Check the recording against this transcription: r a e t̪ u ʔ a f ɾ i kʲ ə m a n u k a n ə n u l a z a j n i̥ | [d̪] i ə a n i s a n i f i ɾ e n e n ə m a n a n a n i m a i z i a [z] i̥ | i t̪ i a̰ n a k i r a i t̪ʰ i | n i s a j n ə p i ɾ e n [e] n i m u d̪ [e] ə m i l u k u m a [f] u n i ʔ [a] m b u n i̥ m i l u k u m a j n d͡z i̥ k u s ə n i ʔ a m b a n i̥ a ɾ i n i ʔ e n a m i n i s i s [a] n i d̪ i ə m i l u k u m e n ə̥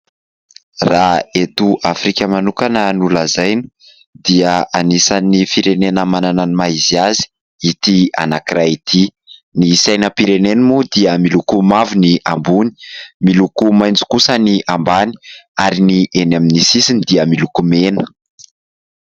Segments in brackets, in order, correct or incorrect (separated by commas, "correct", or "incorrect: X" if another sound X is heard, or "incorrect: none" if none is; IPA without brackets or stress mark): correct, correct, correct, incorrect: i, incorrect: v, correct, incorrect: i